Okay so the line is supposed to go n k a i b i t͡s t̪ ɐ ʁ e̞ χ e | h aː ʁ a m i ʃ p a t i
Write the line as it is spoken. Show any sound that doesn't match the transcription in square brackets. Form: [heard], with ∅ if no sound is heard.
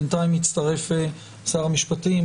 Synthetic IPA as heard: n [t] a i [m] i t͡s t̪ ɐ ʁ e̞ [f] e | [s] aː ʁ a m i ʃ p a t i